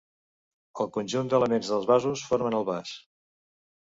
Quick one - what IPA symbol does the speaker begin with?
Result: ə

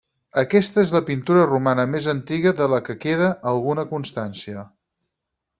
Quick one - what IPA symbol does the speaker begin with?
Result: ə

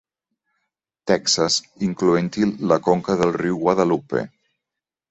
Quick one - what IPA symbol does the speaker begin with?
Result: t̪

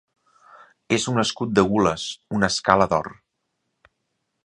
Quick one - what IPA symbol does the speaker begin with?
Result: e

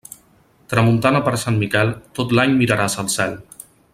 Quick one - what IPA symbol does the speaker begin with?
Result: t̪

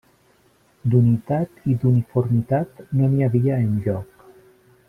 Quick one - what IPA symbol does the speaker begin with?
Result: d̪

